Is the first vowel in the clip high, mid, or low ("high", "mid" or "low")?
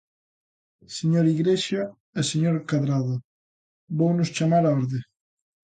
mid